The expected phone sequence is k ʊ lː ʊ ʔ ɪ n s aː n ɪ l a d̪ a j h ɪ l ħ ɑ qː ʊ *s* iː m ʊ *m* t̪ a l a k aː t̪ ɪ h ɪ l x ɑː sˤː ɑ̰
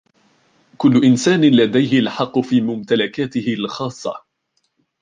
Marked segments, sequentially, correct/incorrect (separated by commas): incorrect, correct